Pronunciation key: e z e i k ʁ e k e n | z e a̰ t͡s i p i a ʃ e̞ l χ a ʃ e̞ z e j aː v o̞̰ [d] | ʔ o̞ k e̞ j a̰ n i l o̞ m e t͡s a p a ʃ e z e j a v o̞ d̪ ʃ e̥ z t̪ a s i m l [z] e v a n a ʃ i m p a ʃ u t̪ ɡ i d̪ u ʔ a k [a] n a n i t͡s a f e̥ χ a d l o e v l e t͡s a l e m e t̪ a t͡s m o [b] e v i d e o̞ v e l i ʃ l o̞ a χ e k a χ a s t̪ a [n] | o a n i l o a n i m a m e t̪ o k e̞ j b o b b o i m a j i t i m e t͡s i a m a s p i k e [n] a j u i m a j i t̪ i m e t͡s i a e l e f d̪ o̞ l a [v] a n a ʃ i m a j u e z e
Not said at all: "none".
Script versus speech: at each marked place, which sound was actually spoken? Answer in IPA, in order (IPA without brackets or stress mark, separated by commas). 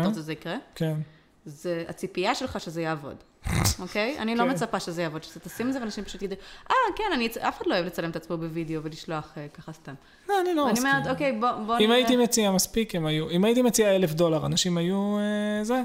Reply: d, z, e, b, m, m, ʁ